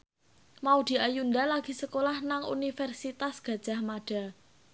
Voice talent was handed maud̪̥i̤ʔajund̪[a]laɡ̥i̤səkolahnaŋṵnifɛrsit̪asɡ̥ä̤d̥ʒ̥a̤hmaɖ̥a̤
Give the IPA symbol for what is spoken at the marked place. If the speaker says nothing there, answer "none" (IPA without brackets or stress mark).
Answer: a